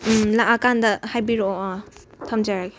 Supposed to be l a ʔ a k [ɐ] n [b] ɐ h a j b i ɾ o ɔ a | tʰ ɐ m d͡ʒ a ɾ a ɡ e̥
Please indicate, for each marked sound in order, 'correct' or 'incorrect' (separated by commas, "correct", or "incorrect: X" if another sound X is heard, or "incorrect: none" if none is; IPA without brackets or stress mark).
incorrect: a, incorrect: d